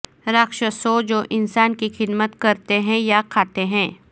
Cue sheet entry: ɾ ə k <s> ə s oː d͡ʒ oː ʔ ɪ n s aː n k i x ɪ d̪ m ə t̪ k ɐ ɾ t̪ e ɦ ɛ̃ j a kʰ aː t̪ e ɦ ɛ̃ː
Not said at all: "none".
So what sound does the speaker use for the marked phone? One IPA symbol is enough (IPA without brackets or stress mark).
ʃ